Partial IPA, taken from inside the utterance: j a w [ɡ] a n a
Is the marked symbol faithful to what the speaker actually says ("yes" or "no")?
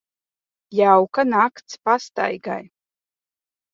no